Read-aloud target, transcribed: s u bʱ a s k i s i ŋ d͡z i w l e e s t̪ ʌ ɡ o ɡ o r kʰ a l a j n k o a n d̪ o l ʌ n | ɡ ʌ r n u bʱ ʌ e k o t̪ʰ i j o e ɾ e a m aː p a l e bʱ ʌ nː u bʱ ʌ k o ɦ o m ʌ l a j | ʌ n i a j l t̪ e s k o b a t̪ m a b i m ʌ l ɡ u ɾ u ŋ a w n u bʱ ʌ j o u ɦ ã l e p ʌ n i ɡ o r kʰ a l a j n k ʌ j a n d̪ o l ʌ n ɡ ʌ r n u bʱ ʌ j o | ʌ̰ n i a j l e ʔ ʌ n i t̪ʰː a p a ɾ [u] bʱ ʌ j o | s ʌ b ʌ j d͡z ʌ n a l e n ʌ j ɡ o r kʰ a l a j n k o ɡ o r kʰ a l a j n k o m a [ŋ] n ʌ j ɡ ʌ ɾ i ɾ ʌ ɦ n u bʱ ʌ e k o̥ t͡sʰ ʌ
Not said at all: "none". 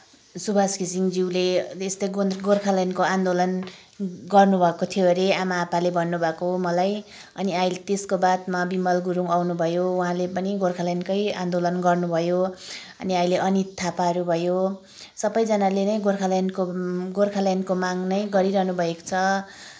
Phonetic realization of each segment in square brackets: u, ŋ

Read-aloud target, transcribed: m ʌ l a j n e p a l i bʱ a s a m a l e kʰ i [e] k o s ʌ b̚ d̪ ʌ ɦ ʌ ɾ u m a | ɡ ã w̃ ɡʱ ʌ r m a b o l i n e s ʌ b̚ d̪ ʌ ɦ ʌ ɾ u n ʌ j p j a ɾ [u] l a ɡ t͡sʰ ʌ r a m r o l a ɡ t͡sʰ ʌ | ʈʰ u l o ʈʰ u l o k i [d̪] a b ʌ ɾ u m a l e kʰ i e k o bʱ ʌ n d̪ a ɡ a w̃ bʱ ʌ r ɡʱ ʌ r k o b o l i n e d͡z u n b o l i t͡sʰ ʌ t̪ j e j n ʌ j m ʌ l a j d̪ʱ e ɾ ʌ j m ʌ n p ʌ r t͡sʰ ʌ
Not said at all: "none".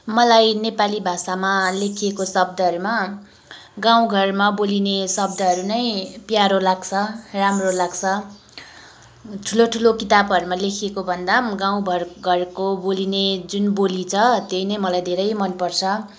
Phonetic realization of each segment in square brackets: e, o, t̪

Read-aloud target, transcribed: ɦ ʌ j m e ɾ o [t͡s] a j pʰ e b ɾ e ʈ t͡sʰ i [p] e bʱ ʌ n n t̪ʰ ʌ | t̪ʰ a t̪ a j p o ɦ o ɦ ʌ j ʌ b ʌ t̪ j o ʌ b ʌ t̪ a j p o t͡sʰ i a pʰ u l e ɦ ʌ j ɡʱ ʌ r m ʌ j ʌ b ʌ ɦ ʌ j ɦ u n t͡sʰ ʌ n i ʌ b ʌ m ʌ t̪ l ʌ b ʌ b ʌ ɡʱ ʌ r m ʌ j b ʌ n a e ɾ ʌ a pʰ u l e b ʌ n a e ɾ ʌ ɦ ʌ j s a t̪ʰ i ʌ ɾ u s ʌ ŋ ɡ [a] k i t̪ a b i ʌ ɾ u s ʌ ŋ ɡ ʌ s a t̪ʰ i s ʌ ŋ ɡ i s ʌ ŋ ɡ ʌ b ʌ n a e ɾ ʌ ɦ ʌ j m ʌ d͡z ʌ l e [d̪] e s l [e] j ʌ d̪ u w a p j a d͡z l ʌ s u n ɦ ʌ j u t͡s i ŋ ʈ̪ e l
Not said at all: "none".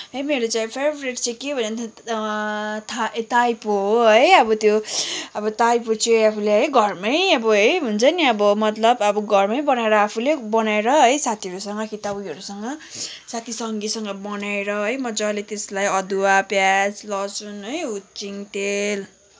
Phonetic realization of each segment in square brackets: t͡s, k, ʌ, t̪, a

